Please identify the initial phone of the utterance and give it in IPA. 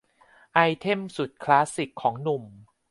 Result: ʔ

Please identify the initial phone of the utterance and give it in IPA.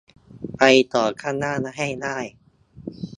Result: p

